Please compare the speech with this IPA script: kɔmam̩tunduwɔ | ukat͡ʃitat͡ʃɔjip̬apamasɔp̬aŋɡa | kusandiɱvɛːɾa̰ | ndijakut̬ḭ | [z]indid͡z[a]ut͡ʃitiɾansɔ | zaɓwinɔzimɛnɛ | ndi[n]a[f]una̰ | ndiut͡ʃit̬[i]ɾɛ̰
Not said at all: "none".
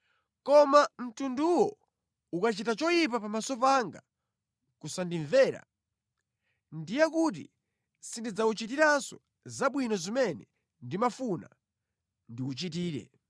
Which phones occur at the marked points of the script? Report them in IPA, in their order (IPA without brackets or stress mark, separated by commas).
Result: s, a, m, f, iː